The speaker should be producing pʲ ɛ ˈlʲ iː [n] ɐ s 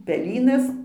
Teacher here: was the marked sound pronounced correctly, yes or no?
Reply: yes